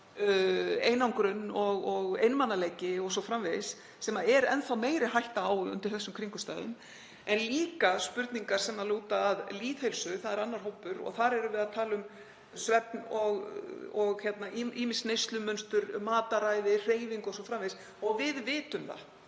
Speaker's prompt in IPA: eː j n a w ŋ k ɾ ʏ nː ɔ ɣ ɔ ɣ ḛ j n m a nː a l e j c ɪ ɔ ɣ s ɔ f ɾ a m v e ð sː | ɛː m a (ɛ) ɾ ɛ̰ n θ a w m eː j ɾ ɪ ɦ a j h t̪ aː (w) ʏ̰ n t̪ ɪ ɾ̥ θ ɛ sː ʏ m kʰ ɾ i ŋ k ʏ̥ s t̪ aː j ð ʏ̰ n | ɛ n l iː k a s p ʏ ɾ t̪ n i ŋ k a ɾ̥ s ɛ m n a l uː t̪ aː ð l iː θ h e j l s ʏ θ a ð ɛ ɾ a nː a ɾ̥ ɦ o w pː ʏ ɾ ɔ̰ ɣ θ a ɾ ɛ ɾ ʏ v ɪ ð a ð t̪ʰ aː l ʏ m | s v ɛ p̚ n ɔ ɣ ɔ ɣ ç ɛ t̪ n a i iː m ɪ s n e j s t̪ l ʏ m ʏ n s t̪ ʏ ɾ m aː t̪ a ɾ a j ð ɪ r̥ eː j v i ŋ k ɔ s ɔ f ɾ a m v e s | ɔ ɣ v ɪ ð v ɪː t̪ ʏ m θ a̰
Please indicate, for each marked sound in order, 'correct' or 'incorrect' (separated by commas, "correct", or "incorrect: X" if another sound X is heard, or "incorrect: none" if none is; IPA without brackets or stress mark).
correct, correct